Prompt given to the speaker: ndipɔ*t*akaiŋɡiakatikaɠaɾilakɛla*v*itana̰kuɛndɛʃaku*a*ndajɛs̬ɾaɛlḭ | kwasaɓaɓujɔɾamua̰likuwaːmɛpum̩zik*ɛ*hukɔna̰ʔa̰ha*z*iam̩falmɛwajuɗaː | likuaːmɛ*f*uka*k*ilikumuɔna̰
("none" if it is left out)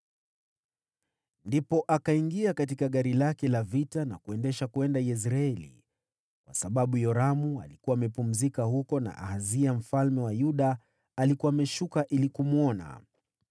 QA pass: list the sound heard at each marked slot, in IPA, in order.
ʔ, v, ɛ, a, z, ʃ, ʔ

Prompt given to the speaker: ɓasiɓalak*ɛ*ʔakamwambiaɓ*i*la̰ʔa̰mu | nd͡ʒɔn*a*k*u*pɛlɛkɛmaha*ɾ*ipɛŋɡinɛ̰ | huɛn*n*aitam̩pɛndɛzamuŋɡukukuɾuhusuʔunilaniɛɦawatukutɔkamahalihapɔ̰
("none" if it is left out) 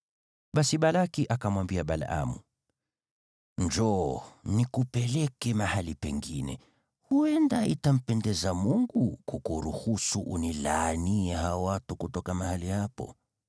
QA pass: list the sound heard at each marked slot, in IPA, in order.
i, a, i, u, l, d

